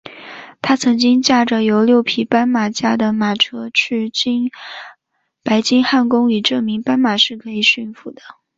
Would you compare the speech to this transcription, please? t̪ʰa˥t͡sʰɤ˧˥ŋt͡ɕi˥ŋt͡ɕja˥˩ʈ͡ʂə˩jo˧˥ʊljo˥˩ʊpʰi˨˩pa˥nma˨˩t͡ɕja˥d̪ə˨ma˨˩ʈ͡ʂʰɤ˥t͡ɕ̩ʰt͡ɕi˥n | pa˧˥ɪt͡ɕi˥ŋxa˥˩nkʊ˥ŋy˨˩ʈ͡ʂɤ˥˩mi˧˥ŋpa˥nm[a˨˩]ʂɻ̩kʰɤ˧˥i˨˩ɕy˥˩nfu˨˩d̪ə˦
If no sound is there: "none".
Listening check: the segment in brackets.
a˨˩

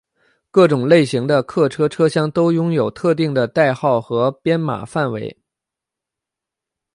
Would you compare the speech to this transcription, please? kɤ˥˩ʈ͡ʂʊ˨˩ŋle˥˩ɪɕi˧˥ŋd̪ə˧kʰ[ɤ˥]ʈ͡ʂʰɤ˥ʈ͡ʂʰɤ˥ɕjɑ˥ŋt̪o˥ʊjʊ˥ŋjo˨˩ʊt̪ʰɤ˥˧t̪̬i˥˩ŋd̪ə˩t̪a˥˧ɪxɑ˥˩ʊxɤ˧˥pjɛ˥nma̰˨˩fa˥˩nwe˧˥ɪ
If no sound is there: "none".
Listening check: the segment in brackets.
ɤ˥˩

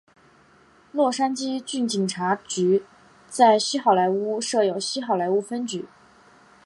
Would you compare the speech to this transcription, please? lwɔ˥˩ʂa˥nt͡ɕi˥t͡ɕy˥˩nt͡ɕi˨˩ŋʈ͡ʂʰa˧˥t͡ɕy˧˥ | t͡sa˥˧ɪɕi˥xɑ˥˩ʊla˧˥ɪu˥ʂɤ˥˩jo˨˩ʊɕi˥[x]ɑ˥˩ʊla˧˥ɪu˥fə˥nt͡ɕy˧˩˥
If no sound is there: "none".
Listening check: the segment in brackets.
x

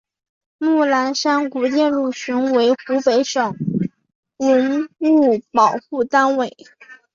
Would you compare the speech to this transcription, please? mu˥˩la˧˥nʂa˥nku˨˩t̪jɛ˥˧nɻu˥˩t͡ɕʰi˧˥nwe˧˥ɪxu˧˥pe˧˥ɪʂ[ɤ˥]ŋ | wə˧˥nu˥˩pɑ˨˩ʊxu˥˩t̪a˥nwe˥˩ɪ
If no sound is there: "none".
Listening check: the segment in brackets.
ɤ˨˩˦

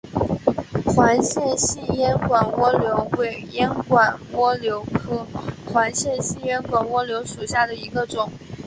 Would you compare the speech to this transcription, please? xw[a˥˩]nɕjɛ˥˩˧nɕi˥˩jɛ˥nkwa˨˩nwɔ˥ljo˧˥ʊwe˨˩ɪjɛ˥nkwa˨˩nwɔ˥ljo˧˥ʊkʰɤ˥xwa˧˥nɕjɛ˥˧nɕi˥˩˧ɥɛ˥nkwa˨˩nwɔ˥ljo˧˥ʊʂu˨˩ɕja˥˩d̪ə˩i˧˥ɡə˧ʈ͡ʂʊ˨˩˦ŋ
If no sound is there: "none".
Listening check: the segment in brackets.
a˧˥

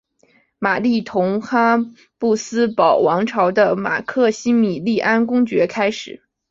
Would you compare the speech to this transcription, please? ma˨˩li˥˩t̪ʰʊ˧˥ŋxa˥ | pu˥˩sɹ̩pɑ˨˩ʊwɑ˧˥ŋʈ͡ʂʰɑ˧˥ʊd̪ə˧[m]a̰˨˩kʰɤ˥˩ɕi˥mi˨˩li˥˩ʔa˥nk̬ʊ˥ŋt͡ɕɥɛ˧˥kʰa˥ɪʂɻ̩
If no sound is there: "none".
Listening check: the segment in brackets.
m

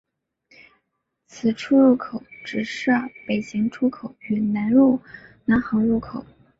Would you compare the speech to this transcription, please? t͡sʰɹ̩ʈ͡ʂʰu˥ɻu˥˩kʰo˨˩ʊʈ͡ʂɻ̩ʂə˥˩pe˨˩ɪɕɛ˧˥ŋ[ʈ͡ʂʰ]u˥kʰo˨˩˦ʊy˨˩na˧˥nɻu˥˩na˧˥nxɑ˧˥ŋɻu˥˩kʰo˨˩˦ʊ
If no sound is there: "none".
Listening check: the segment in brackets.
ʈ͡ʂʰ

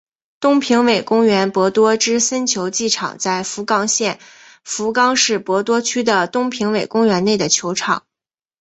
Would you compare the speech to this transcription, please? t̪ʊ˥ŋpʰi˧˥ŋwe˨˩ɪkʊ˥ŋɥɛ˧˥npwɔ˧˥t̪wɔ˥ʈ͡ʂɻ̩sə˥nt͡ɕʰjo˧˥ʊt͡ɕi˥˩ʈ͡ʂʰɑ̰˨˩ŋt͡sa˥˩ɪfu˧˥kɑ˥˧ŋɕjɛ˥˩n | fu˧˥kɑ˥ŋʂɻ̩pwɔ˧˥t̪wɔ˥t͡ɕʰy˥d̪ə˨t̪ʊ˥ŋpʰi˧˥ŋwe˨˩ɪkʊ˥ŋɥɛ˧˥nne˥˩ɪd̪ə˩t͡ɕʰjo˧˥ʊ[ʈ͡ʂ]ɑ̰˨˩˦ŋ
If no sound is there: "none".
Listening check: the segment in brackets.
ʈ͡ʂʰ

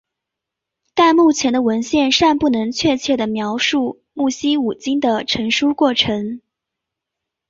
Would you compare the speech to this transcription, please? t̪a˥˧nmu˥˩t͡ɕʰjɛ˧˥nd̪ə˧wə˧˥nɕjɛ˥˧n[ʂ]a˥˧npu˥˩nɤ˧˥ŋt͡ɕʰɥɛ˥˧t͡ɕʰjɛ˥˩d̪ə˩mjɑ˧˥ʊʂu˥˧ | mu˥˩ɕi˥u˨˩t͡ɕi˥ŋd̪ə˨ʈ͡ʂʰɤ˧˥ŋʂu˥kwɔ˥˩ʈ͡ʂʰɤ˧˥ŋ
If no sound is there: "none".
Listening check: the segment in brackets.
ʂ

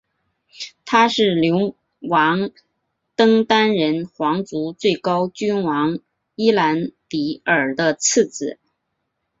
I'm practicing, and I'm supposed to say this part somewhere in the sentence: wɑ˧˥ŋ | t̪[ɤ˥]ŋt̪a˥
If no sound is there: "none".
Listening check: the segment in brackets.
ɤ˥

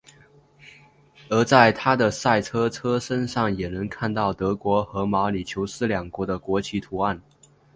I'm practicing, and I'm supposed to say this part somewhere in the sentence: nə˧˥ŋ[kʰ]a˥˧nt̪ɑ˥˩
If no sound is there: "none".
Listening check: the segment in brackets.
kʰ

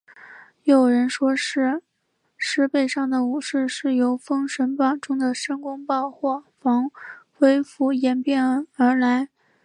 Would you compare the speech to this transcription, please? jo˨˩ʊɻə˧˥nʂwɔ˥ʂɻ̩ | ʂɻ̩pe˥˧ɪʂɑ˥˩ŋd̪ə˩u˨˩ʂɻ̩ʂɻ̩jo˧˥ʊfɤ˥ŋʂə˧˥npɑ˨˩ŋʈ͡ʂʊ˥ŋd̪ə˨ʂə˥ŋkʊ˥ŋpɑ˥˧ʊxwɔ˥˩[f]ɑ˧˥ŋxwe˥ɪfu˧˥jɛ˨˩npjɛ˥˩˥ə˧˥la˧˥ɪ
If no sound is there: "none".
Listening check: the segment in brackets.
f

